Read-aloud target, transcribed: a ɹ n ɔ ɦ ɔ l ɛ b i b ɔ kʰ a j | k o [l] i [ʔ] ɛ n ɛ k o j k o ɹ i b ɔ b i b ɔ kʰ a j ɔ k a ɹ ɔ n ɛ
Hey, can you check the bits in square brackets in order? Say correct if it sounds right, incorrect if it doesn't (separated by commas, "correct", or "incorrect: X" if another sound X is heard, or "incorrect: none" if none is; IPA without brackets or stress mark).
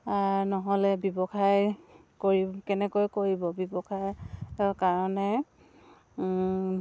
incorrect: ɹ, incorrect: k